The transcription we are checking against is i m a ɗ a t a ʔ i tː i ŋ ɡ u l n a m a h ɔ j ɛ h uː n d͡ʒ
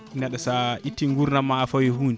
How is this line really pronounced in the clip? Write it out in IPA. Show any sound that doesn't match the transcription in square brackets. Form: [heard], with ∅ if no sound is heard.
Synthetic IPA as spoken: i [n] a ɗ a [s] a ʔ i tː i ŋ ɡ u [ɾ] n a m a [f] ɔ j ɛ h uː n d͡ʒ